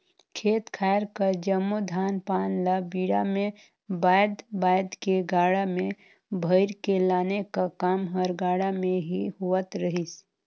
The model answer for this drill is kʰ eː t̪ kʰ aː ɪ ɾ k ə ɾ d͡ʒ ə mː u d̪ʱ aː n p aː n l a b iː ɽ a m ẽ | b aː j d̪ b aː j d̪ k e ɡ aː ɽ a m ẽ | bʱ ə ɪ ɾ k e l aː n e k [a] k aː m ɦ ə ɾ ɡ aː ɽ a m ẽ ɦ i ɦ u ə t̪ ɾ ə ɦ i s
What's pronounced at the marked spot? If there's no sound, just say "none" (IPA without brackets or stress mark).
a